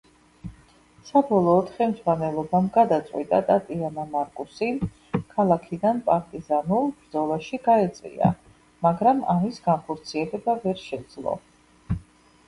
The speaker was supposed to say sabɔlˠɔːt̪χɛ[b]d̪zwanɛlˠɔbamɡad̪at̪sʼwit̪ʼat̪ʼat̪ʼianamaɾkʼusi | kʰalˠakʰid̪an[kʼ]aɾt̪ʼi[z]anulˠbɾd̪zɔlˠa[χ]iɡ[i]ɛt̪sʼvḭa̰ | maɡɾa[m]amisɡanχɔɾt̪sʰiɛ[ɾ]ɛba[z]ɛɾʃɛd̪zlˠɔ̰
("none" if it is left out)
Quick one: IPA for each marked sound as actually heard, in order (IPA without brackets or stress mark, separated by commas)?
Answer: m, pʼ, z, ʃ, a, m, l, v